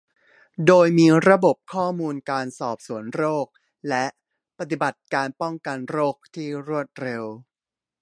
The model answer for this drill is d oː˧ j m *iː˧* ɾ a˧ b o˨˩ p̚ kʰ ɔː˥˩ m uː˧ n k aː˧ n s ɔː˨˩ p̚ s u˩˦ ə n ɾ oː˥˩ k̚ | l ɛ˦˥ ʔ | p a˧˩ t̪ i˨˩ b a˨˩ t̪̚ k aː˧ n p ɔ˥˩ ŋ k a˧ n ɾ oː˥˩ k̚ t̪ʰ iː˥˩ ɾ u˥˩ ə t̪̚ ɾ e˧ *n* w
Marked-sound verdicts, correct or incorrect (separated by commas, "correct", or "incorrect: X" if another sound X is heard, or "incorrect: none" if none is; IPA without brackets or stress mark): correct, incorrect: none